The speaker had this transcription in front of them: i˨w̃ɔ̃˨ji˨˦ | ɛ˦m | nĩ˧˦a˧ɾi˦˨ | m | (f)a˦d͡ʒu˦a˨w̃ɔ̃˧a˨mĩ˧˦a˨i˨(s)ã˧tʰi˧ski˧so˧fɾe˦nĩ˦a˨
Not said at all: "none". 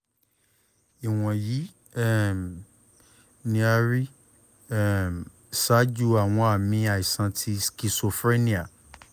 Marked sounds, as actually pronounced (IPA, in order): s, s

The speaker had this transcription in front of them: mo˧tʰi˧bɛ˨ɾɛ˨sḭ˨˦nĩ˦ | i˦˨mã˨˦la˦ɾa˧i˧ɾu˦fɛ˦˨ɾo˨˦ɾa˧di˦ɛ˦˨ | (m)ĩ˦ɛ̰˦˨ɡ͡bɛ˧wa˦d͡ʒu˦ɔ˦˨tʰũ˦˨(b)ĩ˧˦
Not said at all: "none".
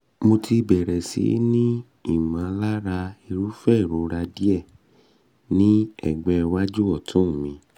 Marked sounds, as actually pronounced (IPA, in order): n, m

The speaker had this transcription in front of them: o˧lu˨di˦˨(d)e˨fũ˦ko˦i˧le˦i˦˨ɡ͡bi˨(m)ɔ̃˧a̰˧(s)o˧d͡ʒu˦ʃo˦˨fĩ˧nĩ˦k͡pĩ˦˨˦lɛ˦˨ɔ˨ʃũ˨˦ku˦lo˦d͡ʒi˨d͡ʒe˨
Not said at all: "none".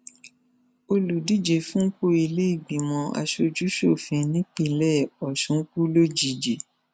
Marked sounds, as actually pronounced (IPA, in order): d͡ʒ, m, ʃ

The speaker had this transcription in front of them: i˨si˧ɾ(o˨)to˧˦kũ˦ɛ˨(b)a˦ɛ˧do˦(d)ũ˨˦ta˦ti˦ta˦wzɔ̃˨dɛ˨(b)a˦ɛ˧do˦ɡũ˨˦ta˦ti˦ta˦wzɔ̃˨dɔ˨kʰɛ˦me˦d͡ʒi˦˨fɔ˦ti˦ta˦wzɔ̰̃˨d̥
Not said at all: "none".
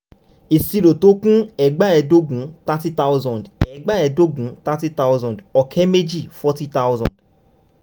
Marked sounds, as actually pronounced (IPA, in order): o˨, ɡ͡b, ɡ, ɡ͡b

